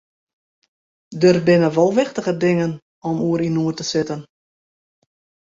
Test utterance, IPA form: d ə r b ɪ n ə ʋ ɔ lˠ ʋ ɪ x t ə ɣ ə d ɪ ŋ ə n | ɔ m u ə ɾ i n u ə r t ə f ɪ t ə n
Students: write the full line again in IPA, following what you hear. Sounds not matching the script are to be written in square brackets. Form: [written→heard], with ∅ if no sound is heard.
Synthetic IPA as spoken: d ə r b ɪ n ə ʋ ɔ lˠ ʋ ɪ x t ə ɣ ə d ɪ ŋ ə n | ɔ m u ə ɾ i n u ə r t ə [f→s] ɪ t ə n